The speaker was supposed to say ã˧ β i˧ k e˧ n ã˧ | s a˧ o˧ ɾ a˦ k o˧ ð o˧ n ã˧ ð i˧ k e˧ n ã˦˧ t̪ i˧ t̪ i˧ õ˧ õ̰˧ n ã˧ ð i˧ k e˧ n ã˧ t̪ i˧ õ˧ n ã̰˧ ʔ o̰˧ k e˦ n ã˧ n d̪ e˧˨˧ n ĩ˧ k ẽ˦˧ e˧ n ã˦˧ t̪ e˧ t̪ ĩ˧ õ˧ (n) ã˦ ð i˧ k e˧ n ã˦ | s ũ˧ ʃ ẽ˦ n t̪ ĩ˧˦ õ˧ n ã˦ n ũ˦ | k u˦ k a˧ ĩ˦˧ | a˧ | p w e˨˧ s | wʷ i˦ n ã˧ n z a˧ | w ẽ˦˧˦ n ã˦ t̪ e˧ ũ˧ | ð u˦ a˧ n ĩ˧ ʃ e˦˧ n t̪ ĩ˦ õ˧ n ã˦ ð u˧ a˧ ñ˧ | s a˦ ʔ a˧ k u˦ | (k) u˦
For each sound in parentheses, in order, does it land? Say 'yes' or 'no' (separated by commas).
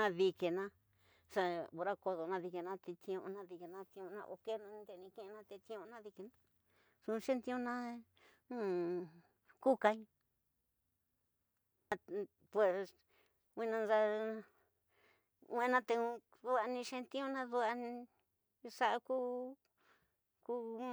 yes, yes